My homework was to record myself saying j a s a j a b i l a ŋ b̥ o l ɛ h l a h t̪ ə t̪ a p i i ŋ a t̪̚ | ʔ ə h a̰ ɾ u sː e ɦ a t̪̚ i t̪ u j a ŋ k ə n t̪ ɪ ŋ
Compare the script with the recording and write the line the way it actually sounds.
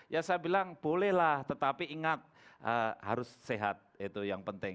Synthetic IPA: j a s a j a b i l a ŋ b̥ o l ɛ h l a h t̪ ə t̪ a p i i ŋ a t̪̚ | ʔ ə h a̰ ɾ ʊ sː e ɦ a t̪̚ i t̪ u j a ŋ p ə n t̪ ɪ ŋ